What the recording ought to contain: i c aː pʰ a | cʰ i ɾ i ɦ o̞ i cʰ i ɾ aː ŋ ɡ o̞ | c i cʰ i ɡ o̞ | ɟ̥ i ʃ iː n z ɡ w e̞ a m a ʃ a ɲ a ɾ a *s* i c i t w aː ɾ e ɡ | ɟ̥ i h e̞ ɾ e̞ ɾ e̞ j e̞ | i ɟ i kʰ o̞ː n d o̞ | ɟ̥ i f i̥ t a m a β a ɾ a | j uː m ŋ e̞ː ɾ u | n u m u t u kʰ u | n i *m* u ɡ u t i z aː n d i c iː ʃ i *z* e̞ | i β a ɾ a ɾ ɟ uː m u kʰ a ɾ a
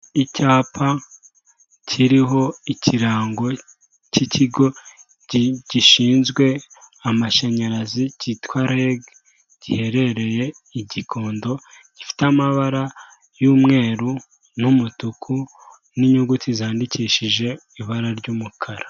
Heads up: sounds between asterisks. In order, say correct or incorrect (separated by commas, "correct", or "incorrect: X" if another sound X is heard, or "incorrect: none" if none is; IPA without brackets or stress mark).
incorrect: z, incorrect: ɲ, incorrect: ʒ